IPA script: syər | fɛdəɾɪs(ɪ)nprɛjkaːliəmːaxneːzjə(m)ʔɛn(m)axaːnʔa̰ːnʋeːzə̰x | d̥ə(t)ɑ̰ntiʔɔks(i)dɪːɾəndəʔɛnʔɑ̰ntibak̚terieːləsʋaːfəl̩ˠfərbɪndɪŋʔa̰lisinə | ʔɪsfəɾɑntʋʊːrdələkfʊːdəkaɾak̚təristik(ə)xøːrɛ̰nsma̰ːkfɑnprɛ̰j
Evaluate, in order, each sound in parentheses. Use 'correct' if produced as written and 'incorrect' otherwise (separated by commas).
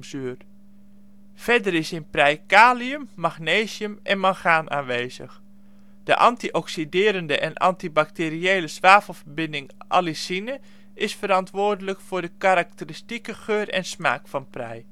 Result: correct, correct, correct, incorrect, correct, correct